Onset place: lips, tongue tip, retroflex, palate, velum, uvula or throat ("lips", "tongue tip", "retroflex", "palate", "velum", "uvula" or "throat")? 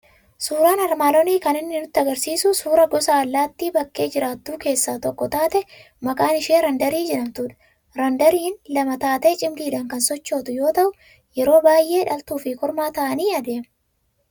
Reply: tongue tip